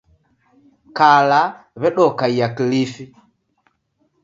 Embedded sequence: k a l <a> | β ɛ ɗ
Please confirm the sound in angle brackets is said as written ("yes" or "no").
yes